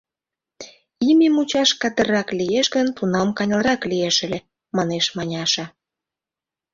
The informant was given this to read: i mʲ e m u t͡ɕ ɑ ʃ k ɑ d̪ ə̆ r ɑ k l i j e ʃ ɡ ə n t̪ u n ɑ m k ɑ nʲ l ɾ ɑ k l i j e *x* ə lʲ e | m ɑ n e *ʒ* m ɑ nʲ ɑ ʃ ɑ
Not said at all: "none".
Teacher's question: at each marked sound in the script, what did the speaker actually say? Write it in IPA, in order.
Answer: ʃ, ʃ

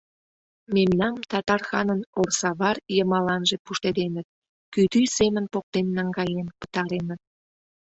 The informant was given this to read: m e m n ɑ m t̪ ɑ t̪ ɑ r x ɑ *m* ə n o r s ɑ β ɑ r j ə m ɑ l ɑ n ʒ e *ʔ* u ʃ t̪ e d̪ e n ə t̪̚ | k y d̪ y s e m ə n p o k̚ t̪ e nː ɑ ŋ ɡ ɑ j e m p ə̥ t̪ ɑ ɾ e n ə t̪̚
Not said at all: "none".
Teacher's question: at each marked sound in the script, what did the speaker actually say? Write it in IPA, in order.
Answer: n, p

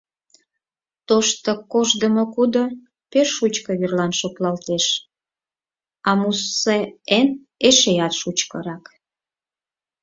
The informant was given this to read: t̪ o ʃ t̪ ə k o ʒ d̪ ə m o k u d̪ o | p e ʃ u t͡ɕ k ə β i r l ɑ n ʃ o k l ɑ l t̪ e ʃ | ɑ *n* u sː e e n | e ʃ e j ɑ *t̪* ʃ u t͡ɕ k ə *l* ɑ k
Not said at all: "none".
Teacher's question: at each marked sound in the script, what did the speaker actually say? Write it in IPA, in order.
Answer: m, t̪, ɾ

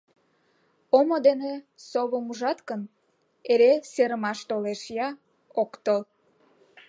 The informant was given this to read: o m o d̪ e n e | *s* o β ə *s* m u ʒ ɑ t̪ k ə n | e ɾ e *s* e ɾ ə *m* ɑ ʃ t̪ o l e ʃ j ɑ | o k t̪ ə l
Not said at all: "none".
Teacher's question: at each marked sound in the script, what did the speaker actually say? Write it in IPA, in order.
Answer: s, none, s, m

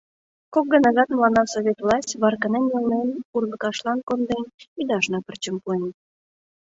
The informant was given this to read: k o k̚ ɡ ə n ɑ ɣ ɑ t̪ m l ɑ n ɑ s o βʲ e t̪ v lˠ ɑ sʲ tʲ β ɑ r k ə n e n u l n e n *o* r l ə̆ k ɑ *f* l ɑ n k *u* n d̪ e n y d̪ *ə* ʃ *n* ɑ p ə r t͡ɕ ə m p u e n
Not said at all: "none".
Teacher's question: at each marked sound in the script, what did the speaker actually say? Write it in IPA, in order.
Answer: u, ʃ, o, ɑ, n

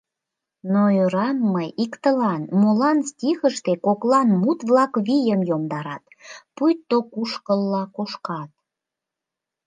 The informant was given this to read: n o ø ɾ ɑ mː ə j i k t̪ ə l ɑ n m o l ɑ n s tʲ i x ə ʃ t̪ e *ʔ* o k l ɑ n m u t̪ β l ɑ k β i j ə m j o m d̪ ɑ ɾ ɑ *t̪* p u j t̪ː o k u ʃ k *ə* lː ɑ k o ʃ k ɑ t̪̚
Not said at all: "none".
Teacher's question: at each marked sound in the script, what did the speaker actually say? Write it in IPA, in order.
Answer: k, t̪, ə

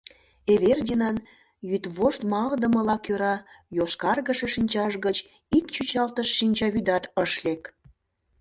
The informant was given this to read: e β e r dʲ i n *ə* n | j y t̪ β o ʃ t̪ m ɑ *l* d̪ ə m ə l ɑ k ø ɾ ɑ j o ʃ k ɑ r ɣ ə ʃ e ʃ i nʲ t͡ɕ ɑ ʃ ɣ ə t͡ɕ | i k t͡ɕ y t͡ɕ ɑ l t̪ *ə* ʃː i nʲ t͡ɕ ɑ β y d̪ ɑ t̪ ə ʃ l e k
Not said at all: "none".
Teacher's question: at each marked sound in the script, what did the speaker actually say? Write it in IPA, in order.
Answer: ɑ, l, ə

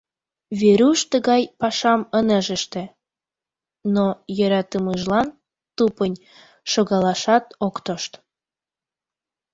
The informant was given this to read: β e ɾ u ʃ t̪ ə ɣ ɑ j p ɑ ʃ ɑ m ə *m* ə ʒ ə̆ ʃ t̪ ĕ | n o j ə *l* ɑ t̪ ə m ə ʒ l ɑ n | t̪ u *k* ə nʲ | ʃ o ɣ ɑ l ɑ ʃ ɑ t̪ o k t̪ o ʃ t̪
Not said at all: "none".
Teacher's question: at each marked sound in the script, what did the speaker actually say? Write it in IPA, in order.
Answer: n, ɾ, p

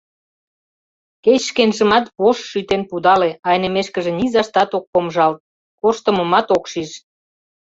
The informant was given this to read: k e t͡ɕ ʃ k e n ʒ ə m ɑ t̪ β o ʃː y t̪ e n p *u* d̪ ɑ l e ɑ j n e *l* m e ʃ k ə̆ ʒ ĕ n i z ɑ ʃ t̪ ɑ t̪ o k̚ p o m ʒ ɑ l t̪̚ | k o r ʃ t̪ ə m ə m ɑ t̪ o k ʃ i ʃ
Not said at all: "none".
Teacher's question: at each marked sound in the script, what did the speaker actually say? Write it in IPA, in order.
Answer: u, none

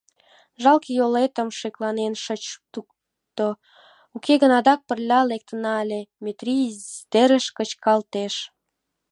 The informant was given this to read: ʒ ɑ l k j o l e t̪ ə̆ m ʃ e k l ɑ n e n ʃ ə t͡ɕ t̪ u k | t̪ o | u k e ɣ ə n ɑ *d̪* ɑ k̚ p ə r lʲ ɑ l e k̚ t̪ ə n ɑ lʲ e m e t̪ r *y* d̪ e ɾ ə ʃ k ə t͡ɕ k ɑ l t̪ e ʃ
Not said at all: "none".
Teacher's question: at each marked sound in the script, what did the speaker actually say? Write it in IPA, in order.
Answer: d̪, i

